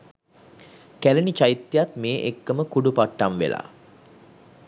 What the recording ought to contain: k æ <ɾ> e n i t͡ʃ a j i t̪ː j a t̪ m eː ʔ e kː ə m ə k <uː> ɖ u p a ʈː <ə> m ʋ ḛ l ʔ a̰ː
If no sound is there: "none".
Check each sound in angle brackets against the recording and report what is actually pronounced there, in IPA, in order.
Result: l, u, a

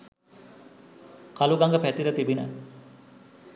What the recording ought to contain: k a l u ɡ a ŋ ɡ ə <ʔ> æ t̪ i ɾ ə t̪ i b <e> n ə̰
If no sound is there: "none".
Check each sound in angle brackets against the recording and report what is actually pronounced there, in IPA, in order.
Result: p, i

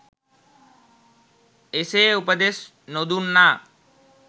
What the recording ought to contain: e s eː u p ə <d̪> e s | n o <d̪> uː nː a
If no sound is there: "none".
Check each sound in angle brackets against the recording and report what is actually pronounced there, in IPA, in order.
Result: d̪, d̪

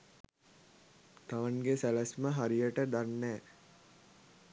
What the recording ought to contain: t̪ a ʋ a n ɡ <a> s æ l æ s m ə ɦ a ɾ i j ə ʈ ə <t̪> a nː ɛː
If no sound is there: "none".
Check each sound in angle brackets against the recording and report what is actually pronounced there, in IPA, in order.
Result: e, d̪

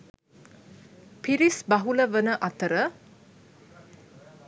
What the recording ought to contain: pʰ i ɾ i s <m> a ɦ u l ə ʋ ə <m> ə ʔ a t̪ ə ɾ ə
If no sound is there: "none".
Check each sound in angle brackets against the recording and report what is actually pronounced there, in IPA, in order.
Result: b, n

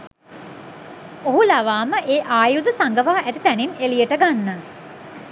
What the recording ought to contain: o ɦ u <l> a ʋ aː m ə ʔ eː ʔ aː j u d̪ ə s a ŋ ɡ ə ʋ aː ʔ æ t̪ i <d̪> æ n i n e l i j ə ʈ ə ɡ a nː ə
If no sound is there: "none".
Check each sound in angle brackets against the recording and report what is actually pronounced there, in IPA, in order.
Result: l, t̪

